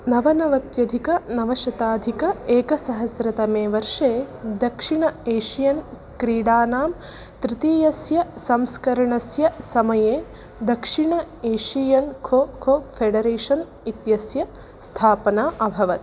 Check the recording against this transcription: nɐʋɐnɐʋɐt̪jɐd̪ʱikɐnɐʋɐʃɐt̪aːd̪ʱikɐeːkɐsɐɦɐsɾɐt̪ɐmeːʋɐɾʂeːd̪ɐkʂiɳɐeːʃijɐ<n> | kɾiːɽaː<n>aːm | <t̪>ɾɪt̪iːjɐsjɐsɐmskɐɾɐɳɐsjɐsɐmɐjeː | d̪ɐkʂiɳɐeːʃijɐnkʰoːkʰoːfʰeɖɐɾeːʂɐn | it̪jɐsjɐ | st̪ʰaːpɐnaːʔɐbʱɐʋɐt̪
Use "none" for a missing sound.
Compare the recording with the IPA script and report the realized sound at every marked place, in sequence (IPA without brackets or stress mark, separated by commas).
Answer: n, n, t̪